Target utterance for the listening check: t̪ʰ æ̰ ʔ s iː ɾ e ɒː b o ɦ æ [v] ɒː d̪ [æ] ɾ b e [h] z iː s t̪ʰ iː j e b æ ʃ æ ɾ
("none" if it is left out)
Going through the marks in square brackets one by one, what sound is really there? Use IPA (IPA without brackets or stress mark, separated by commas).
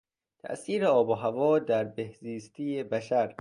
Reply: v, æ, h